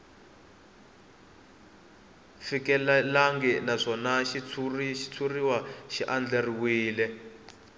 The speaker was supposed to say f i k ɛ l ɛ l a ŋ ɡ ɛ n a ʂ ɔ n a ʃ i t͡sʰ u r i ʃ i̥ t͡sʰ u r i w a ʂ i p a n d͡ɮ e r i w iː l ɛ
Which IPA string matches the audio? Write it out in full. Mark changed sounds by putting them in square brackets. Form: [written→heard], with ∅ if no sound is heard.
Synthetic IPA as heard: f i k ɛ l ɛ l a ŋ ɡ ɛ n a ʂ ɔ n a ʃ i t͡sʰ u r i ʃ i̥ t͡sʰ u r i w a [ʂ→ʃ] i [p→ʔ] a n d͡ɮ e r i w iː l ɛ